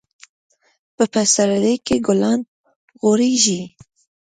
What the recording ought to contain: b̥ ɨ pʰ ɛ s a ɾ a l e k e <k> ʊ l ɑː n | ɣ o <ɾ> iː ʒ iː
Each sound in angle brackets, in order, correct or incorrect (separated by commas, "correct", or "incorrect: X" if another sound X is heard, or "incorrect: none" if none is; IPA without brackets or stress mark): incorrect: ɡ, correct